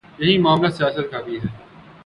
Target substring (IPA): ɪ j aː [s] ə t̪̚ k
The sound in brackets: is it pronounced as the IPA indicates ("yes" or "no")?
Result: yes